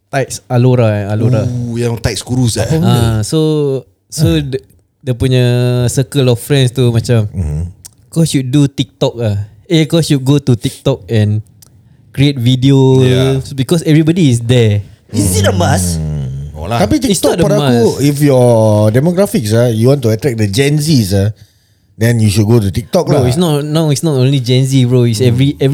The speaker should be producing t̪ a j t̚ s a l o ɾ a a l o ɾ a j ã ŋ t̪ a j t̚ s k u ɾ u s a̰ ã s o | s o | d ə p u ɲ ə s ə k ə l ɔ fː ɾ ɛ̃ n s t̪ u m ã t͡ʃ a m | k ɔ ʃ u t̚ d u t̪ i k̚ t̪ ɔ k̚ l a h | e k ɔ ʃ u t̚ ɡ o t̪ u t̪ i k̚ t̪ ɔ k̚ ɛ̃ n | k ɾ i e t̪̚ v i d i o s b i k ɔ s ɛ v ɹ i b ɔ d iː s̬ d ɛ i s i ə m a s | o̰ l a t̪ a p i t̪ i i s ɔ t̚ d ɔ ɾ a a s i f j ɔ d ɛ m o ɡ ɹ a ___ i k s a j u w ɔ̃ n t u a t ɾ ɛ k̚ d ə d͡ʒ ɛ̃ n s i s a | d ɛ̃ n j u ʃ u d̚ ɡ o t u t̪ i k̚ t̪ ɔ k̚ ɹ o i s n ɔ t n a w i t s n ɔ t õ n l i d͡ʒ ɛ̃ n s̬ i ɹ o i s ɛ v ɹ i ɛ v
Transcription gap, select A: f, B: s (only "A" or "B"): A